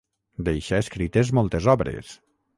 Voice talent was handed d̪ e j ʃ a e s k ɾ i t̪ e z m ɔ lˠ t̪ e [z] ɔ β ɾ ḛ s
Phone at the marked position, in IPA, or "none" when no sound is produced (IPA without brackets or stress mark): z